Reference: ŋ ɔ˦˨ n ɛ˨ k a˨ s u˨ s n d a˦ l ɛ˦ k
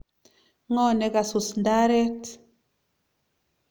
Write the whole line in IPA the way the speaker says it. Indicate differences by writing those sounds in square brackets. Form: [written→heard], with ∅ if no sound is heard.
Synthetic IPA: ŋ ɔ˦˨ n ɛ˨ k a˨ s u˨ s n d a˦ [l→ɾ] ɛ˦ [k→t]